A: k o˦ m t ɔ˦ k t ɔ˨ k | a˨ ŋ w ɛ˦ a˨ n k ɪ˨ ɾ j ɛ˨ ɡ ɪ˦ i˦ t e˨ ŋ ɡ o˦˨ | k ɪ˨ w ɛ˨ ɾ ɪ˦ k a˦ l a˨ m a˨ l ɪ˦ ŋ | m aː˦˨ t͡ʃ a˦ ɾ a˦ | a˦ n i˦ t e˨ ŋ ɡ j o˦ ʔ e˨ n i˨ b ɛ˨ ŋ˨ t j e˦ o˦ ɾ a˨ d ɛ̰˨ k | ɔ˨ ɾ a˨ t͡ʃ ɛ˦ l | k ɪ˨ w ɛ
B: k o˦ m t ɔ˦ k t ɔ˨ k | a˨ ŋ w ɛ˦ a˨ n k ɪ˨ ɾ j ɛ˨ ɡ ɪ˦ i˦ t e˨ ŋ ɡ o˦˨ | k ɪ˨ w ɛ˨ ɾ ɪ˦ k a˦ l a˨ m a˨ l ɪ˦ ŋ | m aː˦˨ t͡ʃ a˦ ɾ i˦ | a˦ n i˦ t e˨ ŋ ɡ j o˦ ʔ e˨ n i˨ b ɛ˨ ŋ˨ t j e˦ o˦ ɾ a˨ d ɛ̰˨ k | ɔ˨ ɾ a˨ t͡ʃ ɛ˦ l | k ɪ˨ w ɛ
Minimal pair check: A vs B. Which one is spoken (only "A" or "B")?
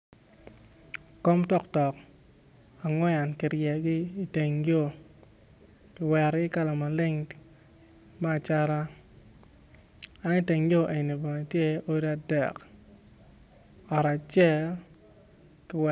A